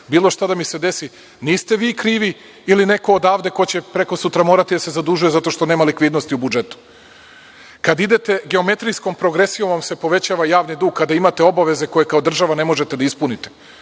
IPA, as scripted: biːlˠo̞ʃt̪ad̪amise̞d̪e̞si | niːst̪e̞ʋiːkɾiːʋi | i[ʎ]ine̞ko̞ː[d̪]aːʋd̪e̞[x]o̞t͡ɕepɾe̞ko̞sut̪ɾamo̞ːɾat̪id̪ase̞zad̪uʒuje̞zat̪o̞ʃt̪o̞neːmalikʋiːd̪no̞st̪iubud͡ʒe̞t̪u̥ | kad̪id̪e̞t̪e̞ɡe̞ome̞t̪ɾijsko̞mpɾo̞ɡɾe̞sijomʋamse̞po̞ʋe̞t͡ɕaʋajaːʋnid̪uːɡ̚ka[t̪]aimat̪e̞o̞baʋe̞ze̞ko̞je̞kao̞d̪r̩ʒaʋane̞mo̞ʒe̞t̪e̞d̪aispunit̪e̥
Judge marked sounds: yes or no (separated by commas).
no, yes, no, no